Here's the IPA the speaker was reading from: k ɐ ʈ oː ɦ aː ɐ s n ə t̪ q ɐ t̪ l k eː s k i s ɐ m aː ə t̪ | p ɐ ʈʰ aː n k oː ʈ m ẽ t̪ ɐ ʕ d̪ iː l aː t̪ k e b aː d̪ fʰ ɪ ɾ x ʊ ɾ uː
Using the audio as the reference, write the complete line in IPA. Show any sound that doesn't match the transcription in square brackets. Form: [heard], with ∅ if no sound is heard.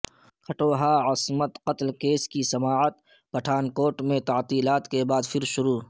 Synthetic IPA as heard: [kʰ] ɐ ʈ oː ɦ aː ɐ s [m] ə t̪ q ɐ t̪ l k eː s k i s ɐ m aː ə t̪ | p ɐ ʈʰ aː n k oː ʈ m ẽ t̪ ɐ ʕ [t̪] iː l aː t̪ k e b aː d̪ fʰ ɪ ɾ [ʃ] ʊ ɾ uː